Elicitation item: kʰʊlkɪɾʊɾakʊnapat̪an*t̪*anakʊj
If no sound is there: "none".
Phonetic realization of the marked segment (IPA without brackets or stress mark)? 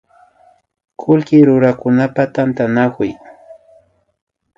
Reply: t̪